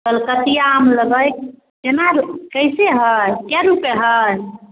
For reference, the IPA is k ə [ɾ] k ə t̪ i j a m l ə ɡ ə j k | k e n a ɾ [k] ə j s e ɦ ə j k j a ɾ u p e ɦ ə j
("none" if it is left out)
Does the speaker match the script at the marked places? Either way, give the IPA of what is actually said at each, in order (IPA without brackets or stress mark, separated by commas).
l, k